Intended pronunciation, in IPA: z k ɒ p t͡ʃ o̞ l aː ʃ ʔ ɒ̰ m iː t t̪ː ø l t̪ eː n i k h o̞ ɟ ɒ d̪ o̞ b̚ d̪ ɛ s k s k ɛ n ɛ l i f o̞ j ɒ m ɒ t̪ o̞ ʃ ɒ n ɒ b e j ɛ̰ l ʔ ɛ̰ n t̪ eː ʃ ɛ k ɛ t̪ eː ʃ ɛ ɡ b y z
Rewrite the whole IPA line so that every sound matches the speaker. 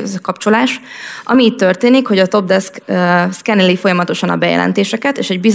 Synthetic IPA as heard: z k ɒ p t͡ʃ o̞ l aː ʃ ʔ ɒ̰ m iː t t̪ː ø r t̪ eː n i k h o̞ ɟ ɒ t̪ o̞ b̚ d̪ ɛ s k s k ɛ n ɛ l i f o̞ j ɒ m ɒ t̪ o̞ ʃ ɒ n ɒ b ɛ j ɛ̰ l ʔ ɛ̰ n t̪ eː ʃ ɛ k ɛ t̪ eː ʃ ɛ ɟ b i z